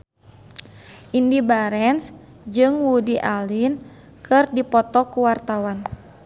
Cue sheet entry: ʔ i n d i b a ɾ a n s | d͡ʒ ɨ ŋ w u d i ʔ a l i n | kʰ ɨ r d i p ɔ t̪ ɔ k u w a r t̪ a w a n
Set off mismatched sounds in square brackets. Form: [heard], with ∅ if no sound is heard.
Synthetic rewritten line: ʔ i n d i b a ɾ [ɛ] n s | d͡ʒ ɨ ŋ w u d i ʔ a l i n | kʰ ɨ r d i p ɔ t̪ ɔ k u w a r t̪ a w a n